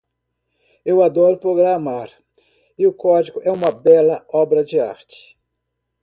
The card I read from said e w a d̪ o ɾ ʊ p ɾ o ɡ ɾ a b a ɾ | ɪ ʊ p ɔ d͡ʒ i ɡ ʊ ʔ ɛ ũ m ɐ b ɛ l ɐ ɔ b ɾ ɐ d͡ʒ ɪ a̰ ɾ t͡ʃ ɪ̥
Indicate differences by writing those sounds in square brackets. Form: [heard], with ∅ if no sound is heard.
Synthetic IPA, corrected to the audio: e w a d̪ [ɔ] ɾ ʊ p ɾ o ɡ ɾ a [m] a ɾ | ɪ ʊ [k] ɔ d͡ʒ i ɡ ʊ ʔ ɛ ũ m ɐ b ɛ l ɐ ɔ b ɾ ɐ d͡ʒ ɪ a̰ ɾ t͡ʃ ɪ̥